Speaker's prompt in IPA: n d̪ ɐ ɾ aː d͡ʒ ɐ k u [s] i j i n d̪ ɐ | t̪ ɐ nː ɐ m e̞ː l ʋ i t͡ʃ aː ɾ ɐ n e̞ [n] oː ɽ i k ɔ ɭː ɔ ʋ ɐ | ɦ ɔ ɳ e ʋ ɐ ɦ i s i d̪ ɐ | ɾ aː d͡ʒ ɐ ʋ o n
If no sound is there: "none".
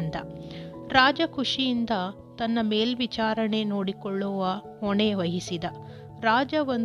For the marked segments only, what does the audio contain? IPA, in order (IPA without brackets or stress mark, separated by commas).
ʂ, n